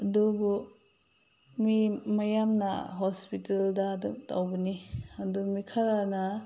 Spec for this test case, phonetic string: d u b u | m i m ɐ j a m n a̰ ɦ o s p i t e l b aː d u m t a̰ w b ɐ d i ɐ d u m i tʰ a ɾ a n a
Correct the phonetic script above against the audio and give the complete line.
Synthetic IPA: d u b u | m i m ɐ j a m n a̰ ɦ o s p i t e l d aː d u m t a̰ w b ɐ n i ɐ d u m i kʰ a ɾ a n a